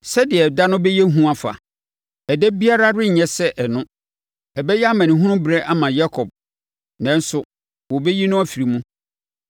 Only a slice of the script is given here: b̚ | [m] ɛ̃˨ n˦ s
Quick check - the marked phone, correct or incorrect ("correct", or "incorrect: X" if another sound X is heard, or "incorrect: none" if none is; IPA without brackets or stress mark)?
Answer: incorrect: n